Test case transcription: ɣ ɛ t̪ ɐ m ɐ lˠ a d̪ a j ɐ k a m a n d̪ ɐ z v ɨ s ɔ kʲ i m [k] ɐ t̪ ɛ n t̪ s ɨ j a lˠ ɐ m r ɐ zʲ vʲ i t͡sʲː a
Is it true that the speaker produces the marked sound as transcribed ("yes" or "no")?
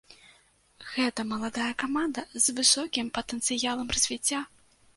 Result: no